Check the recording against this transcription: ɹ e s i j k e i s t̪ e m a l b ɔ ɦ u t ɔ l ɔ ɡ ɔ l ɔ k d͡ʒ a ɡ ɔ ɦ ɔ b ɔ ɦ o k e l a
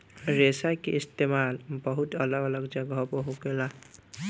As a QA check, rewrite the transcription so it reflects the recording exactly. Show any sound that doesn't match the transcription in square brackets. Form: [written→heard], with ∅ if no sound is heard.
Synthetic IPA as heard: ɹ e s [i→a] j k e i s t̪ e m a l b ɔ ɦ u t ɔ l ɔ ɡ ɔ l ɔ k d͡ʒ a ɡ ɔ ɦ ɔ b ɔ ɦ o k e l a